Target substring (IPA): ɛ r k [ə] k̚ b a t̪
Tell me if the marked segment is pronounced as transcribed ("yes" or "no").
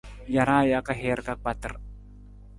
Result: no